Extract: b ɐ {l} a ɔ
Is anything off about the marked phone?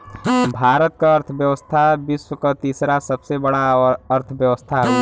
yes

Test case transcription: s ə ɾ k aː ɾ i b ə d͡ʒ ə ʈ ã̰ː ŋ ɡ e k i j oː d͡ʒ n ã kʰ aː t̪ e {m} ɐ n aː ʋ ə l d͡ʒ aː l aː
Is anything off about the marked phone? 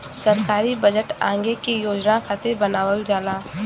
yes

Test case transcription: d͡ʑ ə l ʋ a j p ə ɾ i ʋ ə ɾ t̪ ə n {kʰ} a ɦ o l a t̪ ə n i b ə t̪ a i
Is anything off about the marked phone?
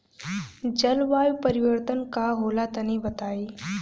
yes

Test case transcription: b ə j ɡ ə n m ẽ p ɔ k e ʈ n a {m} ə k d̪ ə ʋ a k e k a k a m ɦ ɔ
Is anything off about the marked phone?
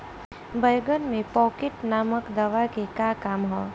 no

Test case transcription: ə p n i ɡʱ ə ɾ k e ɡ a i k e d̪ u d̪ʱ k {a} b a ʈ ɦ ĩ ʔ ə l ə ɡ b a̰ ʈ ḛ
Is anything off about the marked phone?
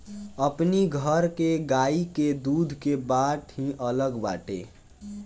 yes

